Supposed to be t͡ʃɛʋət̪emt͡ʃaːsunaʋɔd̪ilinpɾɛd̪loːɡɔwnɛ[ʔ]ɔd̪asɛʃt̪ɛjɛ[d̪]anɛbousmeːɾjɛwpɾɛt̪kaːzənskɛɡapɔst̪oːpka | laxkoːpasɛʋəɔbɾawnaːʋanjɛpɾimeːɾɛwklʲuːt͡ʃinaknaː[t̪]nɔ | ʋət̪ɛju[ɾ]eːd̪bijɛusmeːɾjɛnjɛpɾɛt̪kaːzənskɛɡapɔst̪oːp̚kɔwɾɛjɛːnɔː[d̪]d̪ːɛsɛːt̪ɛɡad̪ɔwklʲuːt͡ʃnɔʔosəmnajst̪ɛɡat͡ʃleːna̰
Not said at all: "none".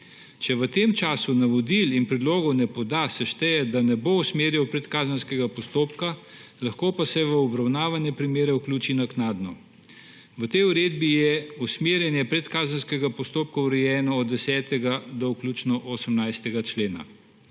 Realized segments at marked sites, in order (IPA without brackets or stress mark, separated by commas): p, d̪, d̪, ɾ, d̪